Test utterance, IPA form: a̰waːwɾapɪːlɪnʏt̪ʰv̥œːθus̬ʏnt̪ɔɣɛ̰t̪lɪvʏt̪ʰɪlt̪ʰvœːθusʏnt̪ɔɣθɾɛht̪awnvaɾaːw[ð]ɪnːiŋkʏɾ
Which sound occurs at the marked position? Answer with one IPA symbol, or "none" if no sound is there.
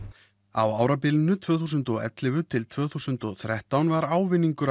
v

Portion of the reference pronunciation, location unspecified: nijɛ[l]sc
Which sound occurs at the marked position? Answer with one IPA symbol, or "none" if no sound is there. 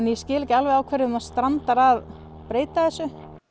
none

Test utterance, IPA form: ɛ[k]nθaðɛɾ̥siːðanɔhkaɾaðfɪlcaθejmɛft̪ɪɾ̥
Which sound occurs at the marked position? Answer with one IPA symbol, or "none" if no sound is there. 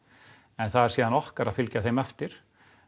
none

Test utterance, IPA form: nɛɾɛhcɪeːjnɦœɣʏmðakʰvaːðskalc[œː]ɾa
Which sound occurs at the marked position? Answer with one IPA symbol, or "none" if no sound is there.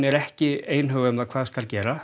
ɛː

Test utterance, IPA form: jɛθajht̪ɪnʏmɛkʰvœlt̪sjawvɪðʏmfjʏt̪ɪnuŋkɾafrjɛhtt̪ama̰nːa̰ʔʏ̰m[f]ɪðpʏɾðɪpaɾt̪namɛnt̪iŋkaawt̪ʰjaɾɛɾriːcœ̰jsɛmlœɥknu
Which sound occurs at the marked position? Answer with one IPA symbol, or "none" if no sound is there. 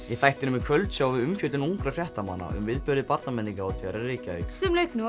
v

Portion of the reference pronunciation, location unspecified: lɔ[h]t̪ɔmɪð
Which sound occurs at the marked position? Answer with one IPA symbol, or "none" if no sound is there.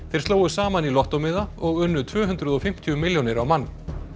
h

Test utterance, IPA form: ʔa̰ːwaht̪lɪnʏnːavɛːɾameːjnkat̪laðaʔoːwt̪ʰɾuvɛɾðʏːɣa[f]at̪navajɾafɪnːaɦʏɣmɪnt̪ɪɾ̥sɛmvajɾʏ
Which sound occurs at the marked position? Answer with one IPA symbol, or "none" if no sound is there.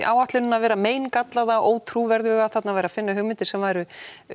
θ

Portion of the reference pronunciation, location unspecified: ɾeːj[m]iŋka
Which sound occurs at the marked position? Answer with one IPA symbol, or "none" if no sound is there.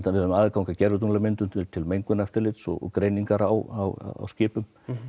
n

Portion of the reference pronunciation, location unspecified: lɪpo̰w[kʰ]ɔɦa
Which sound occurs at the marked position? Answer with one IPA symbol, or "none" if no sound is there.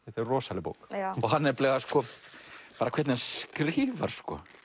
k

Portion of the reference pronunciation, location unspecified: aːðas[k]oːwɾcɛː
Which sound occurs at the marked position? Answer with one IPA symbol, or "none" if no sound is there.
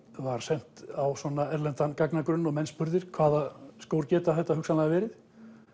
k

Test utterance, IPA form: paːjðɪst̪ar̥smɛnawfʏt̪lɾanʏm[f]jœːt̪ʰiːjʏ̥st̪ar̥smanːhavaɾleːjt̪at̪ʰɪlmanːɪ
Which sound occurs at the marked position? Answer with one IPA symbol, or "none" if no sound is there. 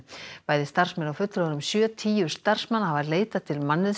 s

